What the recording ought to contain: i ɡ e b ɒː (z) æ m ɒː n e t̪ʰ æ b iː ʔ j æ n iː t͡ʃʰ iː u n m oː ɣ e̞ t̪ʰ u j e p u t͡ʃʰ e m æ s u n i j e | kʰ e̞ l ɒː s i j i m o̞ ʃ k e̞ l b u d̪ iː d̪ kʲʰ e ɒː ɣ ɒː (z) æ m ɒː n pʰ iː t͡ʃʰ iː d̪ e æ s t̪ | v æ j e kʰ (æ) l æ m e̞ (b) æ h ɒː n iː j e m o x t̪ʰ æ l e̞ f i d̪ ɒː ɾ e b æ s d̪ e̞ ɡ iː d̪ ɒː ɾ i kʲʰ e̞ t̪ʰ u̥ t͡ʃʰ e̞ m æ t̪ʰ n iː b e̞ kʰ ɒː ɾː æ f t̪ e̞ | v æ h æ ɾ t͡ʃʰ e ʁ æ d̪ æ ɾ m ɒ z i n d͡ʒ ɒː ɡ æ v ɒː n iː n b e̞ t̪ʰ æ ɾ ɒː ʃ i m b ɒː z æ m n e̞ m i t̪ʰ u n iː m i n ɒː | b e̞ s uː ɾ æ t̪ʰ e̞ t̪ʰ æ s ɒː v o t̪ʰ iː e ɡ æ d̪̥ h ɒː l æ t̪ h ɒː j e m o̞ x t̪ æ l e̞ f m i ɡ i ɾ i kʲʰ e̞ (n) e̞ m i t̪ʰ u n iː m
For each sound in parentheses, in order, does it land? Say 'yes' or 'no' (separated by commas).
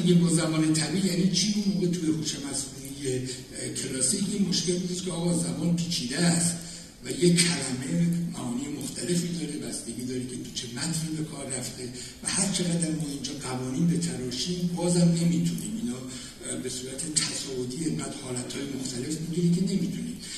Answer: yes, yes, yes, no, yes